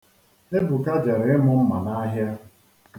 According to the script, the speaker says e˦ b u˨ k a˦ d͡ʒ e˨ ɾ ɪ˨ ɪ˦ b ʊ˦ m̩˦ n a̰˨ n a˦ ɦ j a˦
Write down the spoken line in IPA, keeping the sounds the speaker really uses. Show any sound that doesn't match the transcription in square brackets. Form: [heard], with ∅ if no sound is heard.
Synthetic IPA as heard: e˦ b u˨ k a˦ d͡ʒ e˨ ɾ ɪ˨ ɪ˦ [m] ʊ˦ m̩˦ [m] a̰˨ n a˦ ɦ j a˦